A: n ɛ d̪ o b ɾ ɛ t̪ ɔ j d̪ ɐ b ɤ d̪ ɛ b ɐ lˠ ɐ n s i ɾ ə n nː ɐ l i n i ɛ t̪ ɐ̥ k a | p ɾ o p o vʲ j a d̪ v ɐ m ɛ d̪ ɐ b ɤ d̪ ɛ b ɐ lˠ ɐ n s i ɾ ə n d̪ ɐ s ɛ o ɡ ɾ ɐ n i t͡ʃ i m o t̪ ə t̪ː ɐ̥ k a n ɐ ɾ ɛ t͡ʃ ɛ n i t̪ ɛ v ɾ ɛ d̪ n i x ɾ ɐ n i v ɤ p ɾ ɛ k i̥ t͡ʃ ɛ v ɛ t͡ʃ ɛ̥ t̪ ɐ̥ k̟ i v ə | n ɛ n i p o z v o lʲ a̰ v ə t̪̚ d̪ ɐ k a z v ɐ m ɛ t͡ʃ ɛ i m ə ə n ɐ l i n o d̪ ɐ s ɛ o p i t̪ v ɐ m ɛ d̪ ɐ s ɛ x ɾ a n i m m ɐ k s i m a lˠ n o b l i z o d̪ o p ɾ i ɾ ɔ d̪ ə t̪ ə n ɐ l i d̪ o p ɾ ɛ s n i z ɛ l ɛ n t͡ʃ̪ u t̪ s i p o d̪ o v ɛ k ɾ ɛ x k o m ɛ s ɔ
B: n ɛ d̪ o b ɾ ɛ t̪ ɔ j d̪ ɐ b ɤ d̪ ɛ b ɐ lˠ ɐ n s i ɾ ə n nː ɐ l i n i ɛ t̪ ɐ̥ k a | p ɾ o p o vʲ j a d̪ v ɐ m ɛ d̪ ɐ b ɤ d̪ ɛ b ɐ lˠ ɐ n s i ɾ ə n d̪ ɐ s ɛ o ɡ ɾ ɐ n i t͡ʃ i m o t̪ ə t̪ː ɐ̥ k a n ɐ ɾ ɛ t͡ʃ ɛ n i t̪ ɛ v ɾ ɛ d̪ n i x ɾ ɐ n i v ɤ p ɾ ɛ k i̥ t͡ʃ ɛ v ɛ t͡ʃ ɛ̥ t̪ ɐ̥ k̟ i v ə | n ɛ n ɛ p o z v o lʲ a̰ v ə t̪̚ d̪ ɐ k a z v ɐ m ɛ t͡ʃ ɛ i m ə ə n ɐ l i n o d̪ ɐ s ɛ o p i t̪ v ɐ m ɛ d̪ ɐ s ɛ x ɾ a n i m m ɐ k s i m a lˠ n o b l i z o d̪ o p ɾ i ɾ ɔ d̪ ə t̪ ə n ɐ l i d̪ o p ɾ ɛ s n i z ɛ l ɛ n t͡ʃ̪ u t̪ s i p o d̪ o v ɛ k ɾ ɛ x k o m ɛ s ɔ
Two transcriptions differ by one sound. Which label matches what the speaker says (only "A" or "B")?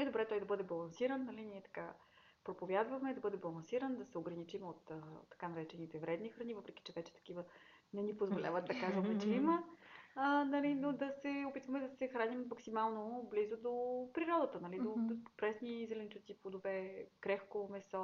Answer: A